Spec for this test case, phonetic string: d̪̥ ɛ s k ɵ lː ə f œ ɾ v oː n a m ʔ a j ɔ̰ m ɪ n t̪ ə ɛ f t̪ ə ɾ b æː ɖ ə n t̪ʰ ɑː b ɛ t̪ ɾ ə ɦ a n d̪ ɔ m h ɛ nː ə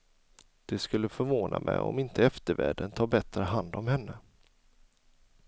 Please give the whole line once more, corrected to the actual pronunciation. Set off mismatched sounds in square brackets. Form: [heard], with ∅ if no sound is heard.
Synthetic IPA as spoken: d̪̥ ɛ s k ɵ lː ə f œ ɾ v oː n a m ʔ [ɛ] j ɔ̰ m ɪ n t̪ ə ɛ f t̪ ə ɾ [v] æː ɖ ə n t̪ʰ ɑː b ɛ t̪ ɾ ə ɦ a n d̪ ɔ m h ɛ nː ə